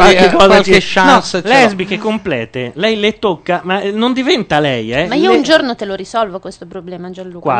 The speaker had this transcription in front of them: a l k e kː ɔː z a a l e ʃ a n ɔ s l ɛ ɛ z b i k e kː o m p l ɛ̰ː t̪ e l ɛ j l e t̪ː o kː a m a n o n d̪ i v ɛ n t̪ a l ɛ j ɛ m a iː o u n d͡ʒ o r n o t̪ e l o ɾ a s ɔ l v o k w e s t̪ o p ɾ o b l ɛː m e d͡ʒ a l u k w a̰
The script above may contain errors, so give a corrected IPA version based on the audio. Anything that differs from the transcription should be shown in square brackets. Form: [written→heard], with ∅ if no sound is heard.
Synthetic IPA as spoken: a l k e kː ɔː z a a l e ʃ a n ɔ s l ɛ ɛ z b i k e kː o m p l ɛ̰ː t̪ e l ɛ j l e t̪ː o kː a m a n o n d̪ i v ɛ n t̪ a l ɛ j ɛ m a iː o u n d͡ʒ o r n o t̪ e l o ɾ [a→i] s ɔ l v o k w e s t̪ o p ɾ o b l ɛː m [e→a] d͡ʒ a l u k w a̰